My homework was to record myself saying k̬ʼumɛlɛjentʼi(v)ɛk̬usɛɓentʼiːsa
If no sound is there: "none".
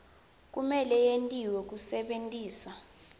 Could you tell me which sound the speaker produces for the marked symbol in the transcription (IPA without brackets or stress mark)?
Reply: w